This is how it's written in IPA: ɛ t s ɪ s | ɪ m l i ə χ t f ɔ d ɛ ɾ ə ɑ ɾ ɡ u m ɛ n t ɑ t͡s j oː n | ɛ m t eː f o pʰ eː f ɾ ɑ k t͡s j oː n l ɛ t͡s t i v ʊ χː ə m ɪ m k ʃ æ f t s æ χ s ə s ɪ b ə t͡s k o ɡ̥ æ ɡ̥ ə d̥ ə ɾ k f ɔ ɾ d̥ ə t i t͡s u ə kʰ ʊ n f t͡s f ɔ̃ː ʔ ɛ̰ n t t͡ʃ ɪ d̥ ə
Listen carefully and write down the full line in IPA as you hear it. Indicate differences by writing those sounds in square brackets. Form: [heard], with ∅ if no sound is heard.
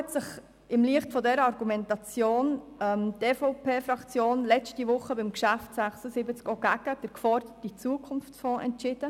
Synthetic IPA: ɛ t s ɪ [χ] | ɪ m l i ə χ t f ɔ d ɛ ɾ ə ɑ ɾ ɡ u m ɛ n t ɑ t͡s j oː n | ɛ m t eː f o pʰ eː f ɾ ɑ k t͡s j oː n l ɛ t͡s t i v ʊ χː ə [b] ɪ m k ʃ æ f t s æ χ s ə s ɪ b ə t͡s k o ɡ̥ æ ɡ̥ ə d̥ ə ɾ k f ɔ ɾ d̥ ə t i t͡s u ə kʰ ʊ n f t͡s f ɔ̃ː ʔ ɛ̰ n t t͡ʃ ɪ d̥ ə

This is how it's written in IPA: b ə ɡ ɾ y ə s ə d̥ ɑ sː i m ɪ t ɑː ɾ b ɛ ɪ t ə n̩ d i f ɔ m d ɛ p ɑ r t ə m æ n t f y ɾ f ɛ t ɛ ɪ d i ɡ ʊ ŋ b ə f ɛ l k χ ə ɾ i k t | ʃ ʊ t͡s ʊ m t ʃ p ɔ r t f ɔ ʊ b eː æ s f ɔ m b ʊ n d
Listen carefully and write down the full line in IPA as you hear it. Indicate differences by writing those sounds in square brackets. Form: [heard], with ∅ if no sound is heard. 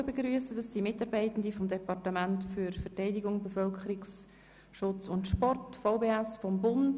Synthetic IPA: b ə ɡ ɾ y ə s ə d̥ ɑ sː i m ɪ t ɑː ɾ b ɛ ɪ t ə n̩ d i f ɔ m d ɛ p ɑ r t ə m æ n t f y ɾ f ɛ t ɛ ɪ d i ɡ ʊ ŋ b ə f [œ] l k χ ə ɾ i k [s] | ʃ ʊ t͡s ʊ [n] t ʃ p ɔ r t f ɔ ʊ b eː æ s f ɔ m b ʊ n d

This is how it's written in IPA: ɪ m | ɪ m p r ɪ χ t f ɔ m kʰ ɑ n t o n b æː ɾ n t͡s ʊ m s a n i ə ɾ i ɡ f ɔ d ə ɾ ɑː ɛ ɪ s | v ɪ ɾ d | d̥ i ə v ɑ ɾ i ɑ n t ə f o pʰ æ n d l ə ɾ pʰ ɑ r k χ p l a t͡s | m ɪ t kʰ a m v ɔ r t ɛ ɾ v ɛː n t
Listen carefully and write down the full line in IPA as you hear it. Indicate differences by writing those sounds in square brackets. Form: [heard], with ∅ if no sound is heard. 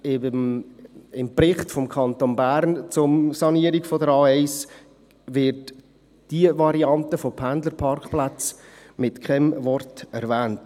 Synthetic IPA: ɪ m | ɪ m p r ɪ χ t f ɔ m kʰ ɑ n t o n b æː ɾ n t͡s ʊ m s [ɑ] n i ə ɾ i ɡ f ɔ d ə ɾ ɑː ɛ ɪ s | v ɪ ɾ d | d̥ i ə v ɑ ɾ i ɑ n t ə f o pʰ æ n d l ə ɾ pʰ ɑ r k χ p l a t͡s | m ɪ t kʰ [ɛ] m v ɔ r t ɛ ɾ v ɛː n t

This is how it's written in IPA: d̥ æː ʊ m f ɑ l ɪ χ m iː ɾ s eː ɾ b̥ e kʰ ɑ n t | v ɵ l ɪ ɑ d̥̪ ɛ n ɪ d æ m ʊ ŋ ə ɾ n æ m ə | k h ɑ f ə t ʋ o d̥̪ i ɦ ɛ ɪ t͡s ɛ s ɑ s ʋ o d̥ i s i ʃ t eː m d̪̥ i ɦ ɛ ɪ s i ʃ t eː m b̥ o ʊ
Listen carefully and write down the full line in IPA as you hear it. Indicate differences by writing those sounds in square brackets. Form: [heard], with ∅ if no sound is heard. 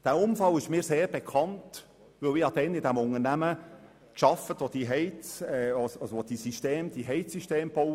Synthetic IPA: d̥ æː ʊ m f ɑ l ɪ [ʃ] m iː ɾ s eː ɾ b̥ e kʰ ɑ n t | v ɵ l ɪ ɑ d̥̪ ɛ n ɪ d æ m ʊ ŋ ə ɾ n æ m ə | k [ʃ] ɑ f ə t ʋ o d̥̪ i ɦ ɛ ɪ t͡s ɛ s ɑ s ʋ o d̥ i s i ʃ t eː m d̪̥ i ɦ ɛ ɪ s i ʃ t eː m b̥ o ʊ

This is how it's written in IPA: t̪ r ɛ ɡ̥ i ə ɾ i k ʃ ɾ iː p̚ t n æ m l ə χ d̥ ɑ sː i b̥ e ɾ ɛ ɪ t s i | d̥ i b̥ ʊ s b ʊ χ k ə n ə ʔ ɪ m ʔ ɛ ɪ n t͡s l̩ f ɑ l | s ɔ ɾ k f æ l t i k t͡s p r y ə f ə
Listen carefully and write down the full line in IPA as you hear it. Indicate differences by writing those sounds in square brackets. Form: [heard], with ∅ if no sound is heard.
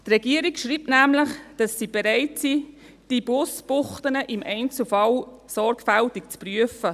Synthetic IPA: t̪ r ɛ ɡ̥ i ə ɾ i k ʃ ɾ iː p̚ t n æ m l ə χ d̥ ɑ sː i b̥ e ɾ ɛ ɪ t s i | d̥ i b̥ ʊ s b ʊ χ [t] ə n ə ʔ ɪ m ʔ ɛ ɪ n t͡s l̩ f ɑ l | s ɔ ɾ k f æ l t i k t͡s p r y ə f ə

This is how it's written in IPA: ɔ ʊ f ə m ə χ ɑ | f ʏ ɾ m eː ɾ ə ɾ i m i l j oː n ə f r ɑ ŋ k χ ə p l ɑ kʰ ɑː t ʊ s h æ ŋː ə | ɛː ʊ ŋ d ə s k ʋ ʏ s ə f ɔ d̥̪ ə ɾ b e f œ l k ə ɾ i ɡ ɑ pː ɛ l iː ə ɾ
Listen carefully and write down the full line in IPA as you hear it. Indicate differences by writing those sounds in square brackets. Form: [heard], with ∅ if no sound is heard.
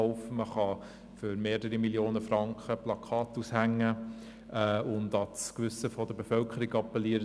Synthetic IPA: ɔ ʊ f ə m ə χ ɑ | f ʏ ɾ m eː ɾ ə ɾ i m i l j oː n ə f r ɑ ŋ k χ ə p l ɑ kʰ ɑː t [u] s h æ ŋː ə | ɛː ʊ [n] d [ɑ] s k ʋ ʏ s ə f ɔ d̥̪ ə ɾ b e f œ l k ə ɾ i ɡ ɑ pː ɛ l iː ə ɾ

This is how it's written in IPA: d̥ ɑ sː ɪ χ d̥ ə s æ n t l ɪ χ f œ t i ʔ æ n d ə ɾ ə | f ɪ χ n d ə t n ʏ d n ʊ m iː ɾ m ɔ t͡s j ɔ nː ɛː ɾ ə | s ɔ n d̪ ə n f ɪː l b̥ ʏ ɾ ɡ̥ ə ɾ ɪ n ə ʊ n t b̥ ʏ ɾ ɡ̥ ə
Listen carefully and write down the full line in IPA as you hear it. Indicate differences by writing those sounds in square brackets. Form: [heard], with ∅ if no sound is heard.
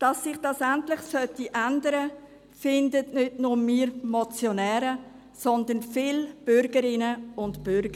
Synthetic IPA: d̥ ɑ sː ɪ χ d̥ [ɑ] s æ n t l ɪ χ [s] œ t i ʔ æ n d ə ɾ ə | f ɪ [∅] n d ə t n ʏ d n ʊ m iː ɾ m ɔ t͡s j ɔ [n] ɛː ɾ ə | s ɔ n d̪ ə n f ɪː l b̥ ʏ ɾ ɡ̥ ə ɾ ɪ n ə ʊ n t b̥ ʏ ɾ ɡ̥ ə

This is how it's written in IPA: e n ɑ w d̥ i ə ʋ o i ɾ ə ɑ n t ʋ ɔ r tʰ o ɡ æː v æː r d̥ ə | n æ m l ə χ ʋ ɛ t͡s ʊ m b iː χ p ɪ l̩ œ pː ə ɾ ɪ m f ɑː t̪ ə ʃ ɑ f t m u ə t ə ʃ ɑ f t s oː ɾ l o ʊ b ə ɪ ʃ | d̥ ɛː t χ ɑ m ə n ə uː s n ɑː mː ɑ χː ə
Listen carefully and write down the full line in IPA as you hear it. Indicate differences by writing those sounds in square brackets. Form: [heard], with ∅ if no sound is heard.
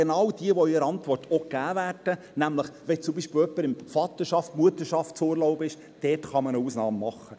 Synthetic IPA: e n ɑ w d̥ i ə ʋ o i ɾ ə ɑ n t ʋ ɔ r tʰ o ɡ æː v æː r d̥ ə | n æ m l ə χ ʋ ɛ t͡s ʊ m b iː [ʃ] p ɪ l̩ œ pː ə ɾ ɪ m f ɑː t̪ ə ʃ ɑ f t m u ə t ə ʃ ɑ f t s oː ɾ l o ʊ b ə ɪ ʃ | d̥ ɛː t χ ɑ m ə n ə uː s n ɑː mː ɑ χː ə

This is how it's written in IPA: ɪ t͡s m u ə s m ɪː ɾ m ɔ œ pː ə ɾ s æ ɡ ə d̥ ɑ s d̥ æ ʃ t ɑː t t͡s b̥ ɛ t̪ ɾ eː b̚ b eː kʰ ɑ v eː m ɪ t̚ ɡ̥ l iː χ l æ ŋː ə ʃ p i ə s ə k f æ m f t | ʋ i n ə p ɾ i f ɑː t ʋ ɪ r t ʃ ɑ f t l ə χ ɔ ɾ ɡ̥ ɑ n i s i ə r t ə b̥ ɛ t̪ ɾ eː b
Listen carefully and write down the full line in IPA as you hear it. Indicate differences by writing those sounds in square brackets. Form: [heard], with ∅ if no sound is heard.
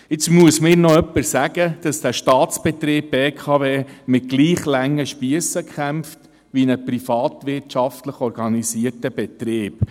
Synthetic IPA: ɪ t͡s m u ə s m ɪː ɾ [n] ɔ œ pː ə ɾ s æ ɡ ə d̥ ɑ s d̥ æ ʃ t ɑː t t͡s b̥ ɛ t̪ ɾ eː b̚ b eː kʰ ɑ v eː m ɪ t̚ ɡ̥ l iː χ l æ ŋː ə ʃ p i ə s ə k [χ] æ m f t | ʋ i n ə p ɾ i f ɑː t ʋ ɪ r t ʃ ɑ f t l ə χ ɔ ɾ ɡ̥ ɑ n i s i ə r t ə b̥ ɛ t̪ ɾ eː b

